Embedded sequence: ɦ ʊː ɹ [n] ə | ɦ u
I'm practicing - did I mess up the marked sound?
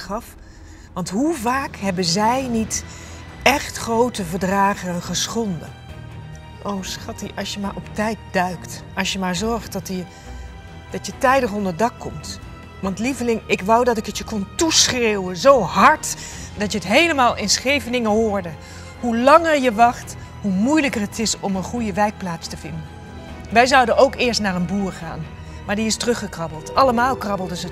yes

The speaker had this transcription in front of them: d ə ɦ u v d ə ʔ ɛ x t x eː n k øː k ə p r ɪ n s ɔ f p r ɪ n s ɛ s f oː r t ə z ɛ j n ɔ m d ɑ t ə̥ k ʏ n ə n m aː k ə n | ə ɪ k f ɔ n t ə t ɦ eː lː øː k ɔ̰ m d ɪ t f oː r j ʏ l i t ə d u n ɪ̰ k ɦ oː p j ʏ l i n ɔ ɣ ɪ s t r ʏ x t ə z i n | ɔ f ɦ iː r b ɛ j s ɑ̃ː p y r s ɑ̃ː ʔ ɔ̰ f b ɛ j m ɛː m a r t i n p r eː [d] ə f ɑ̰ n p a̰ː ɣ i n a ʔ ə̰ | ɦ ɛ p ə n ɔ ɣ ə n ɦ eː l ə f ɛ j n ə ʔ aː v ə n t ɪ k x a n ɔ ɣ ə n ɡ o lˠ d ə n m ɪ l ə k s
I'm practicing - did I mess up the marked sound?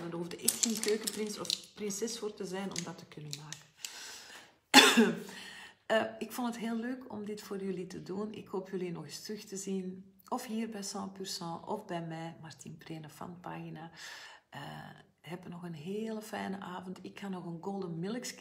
yes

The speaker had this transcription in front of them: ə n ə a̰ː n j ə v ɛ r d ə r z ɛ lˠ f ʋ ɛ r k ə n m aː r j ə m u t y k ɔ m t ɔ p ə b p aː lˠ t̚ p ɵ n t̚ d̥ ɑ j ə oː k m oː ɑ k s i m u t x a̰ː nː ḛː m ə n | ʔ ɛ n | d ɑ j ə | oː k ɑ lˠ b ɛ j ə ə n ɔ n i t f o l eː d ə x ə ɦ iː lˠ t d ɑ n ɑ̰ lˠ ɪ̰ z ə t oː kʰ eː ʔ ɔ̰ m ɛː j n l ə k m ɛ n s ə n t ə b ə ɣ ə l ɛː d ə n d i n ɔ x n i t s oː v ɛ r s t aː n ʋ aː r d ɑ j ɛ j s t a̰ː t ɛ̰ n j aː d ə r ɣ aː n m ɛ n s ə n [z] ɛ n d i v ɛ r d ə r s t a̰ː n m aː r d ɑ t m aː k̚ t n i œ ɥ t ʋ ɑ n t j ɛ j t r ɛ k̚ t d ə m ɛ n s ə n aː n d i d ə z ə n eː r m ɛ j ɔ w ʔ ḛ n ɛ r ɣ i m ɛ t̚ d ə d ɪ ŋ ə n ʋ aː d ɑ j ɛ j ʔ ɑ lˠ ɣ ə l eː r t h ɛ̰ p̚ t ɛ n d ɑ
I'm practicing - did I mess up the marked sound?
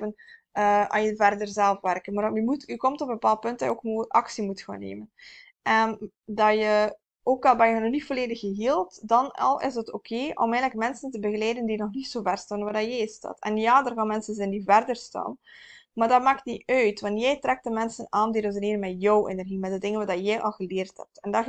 no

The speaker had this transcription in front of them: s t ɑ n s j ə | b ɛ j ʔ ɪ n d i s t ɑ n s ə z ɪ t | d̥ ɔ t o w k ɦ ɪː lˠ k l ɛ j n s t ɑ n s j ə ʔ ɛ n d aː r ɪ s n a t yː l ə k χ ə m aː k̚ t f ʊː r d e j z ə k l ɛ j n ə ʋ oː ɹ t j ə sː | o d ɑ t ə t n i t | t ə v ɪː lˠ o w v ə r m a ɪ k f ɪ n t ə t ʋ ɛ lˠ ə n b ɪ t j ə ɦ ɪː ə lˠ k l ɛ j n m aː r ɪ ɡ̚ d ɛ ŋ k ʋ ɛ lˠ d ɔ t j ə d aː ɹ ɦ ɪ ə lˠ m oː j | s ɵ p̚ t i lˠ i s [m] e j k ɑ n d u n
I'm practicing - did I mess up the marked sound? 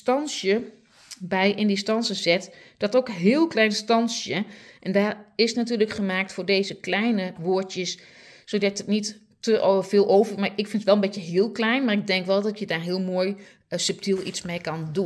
no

